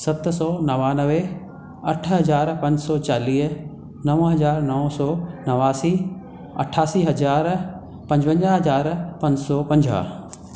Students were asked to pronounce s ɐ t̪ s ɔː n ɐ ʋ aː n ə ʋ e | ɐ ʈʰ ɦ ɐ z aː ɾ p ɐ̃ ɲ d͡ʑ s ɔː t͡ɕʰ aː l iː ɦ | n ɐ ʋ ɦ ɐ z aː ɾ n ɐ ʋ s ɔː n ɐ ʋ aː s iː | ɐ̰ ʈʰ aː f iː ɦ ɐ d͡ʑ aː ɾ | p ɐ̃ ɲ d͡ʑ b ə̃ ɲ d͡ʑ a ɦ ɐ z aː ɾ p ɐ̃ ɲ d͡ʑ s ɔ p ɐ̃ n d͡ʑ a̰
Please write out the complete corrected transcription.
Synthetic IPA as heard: s ɐ t̪ s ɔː n ɐ ʋ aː n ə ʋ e | ɐ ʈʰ ɦ ɐ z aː ɾ p ɐ̃ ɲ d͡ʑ s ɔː t͡ɕ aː l iː ɦ | n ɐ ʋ ɦ ɐ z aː ɾ n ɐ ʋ s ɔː n ɐ ʋ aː s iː | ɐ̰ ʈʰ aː s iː ɦ ɐ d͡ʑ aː ɾ | p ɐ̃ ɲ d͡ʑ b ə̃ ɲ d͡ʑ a ɦ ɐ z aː ɾ p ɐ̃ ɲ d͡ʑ s ɔ p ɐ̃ ɲ d͡ʑ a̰